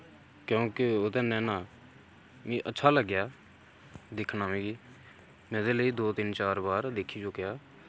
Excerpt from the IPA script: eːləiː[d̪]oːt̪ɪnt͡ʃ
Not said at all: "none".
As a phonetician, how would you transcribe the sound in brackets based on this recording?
d̪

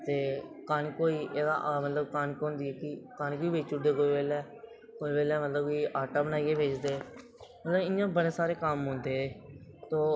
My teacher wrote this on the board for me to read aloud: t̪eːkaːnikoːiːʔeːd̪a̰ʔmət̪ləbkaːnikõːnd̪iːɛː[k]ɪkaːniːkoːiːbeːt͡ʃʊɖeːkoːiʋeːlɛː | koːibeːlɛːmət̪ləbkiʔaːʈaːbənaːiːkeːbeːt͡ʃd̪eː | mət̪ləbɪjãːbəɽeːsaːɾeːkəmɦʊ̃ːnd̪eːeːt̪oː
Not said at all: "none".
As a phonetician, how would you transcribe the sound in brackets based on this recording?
k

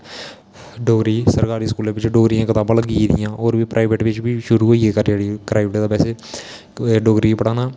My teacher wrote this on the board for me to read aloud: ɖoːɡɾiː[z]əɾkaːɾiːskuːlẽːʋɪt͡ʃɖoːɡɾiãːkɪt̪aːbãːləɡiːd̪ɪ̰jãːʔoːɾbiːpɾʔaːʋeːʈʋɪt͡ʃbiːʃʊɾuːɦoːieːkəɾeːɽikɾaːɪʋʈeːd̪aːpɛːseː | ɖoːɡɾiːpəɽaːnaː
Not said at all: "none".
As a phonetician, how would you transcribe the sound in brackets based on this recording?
s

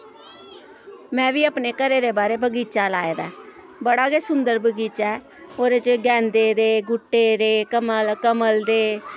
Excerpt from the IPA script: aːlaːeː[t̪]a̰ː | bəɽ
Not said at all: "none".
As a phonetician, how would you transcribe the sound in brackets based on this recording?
d̪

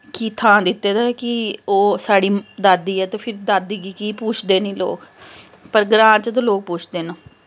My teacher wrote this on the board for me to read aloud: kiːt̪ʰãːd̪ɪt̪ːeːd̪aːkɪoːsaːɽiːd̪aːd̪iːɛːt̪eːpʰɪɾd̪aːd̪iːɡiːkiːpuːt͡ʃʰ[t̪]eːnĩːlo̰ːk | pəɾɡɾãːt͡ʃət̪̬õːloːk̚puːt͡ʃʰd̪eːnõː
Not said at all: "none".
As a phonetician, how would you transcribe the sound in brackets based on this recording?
d̪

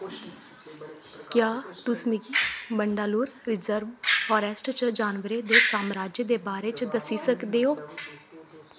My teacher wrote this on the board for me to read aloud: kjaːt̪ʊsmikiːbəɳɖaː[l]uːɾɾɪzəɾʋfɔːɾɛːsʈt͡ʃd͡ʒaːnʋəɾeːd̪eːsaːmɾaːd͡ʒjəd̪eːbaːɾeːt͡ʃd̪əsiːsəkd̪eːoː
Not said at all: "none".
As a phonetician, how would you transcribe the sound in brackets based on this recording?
l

